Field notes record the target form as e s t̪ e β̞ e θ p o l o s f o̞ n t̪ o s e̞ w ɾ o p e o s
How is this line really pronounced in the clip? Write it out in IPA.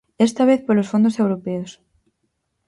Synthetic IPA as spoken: e s t̪ a β̞ e θ p o l o s f o̞ n d̪ o s e̞ w ɾ o p e o s